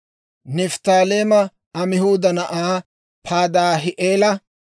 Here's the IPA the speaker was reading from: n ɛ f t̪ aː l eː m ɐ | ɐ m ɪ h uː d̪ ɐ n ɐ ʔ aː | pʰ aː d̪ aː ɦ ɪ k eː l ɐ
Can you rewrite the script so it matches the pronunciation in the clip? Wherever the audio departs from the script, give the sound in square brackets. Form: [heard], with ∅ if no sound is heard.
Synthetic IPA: n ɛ f t̪ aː l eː m ɐ | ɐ m ɪ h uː d̪ ɐ n ɐ ʔ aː | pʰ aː d̪ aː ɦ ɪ [ʔ] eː l ɐ